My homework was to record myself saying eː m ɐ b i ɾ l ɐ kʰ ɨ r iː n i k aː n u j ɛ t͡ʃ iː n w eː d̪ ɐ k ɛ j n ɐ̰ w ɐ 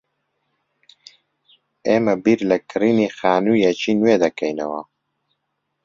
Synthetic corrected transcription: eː m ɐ b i ɾ l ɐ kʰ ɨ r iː n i x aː n u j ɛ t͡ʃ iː n w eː d̪ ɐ k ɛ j n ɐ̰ w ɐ